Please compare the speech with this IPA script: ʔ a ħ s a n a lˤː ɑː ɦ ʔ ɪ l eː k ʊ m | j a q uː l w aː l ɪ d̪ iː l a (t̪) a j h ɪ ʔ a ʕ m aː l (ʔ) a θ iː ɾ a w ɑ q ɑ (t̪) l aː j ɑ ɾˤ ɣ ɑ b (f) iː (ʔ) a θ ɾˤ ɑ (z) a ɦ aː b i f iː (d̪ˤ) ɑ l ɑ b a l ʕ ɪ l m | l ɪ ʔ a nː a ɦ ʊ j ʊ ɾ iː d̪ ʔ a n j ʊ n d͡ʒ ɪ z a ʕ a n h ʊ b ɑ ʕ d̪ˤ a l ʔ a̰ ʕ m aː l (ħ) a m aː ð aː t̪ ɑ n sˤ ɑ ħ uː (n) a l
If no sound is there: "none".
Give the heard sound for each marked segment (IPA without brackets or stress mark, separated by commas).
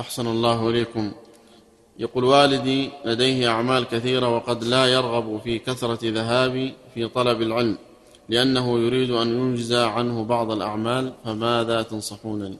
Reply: d̪, k, d̪, f, k, ð, t̪ˤ, f, n